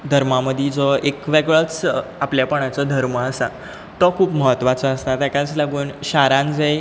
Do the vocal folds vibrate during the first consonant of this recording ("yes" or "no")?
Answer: yes